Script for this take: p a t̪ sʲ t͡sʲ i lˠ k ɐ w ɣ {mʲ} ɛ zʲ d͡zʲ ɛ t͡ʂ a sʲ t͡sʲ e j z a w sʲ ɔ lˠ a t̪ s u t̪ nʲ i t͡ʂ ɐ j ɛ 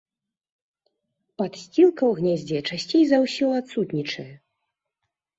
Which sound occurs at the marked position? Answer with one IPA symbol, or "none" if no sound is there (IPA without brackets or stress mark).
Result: nʲ